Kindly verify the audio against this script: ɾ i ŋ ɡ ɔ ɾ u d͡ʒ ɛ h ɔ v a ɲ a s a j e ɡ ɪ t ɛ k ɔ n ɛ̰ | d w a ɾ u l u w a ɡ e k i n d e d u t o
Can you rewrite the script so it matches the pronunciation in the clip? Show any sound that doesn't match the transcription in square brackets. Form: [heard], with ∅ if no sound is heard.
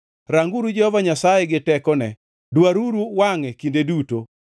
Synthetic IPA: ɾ [a] ŋ ɡ [u] ɾ u d͡ʒ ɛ h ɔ v a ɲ a s a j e ɡ ɪ t ɛ k ɔ n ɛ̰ | d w a ɾ u [ɾ] u w a [ŋ] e k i n d e d u t o